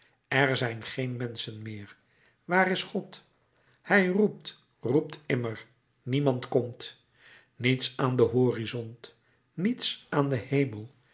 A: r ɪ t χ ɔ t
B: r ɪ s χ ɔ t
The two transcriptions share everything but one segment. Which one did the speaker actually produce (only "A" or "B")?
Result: B